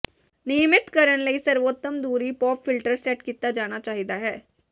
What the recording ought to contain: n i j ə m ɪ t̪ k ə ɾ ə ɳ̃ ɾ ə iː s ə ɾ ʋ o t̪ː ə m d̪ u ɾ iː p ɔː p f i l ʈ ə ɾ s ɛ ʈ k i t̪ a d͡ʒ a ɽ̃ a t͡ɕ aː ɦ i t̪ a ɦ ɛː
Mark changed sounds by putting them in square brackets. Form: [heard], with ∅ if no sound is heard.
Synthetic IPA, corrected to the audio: n i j ə m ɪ t̪ k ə ɾ ə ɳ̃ [l] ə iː s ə ɾ ʋ o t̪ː ə m d̪ u ɾ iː p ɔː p f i l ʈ ə ɾ s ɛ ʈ k i t̪ a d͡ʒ a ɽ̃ a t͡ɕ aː ɦ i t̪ a ɦ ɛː